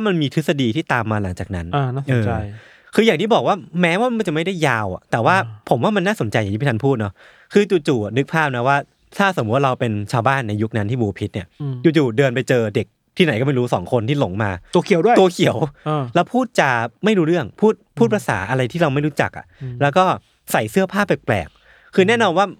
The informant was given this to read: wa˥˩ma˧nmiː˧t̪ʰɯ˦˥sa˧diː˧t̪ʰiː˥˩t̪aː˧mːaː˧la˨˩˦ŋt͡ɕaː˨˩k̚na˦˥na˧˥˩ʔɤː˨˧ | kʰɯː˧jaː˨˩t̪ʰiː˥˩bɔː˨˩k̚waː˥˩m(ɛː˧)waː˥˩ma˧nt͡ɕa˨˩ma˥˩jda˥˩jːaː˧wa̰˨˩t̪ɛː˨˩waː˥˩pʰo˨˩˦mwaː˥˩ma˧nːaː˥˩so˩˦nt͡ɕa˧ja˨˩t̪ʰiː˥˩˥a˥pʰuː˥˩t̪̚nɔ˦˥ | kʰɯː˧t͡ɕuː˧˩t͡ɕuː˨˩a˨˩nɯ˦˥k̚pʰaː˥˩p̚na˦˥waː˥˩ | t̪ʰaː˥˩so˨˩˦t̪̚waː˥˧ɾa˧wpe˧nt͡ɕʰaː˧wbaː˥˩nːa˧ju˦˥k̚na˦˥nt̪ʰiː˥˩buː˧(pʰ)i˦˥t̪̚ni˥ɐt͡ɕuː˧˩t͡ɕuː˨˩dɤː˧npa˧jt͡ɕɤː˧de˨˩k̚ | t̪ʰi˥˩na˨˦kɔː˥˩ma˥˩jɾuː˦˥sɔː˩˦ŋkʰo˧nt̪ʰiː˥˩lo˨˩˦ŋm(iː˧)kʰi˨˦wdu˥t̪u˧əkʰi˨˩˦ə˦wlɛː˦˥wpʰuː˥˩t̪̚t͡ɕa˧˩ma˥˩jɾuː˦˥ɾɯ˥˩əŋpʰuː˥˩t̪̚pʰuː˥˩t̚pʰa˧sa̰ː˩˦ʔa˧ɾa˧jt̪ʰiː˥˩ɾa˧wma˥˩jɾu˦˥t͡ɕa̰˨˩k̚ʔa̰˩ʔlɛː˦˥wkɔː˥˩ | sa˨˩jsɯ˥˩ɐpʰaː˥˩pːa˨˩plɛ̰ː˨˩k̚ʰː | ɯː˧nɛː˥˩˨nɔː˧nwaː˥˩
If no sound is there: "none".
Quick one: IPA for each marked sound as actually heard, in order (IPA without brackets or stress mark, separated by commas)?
ɛː˦˥, pʰ, aː˧